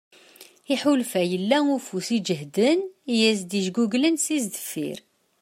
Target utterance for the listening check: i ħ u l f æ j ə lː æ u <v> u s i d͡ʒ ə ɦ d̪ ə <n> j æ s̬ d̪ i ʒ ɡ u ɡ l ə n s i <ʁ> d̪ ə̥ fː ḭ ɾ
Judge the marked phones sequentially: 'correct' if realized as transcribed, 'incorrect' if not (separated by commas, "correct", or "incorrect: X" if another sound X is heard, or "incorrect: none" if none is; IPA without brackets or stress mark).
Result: incorrect: f, correct, incorrect: z